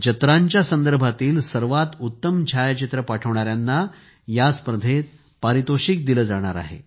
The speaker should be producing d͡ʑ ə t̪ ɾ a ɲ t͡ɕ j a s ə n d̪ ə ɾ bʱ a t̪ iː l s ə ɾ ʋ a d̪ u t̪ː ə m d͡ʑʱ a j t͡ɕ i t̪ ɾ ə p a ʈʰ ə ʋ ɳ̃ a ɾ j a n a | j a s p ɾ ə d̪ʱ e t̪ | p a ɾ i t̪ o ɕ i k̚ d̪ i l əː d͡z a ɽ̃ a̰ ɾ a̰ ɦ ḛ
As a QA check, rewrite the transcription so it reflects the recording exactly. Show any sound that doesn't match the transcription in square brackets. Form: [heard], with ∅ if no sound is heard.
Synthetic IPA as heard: d͡ʑ ə t̪ ɾ a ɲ t͡ɕ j a s ə n d̪ ə ɾ bʱ a t̪ iː l s ə ɾ ʋ a [t̪] u t̪ː ə m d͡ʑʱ a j t͡ɕ i t̪ ɾ ə p a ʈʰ ə ʋ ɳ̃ a ɾ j a [nː] a | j a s p ɾ ə d̪ʱ e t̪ | p a ɾ i t̪ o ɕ i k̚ d̪ i l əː d͡z a ɽ̃ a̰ ɾ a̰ ɦ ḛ